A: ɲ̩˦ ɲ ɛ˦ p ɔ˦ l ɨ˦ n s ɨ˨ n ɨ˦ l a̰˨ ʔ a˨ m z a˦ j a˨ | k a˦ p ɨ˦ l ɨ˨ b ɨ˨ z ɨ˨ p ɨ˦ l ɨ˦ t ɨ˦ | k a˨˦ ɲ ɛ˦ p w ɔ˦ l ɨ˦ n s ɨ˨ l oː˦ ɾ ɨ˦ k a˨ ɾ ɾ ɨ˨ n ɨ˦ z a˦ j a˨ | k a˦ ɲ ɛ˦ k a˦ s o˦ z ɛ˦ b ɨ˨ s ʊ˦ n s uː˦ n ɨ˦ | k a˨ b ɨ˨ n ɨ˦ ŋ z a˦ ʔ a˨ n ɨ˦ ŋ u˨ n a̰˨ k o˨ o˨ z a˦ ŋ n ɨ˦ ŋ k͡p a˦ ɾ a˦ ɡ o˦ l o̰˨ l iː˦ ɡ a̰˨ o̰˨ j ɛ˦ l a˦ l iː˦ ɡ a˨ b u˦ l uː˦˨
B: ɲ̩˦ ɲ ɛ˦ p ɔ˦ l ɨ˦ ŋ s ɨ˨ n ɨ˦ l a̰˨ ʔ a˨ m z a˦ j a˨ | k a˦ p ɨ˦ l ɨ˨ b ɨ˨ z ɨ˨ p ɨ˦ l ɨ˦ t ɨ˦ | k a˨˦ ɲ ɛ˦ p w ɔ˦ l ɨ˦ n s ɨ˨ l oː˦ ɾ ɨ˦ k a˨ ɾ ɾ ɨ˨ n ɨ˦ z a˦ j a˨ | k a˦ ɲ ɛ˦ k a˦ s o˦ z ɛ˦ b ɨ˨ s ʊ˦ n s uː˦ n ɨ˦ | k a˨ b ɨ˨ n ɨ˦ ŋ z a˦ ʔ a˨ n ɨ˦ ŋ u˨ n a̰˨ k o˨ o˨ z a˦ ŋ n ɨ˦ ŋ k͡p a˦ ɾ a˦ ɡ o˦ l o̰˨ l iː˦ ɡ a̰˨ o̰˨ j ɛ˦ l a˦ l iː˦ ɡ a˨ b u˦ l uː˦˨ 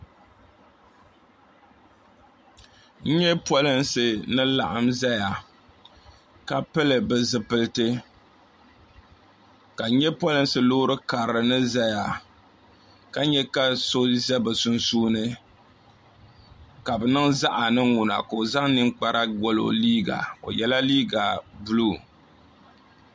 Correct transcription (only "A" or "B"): A